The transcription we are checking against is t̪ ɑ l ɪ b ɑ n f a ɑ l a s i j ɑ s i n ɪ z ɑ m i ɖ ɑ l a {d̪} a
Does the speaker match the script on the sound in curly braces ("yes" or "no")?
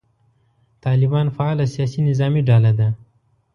yes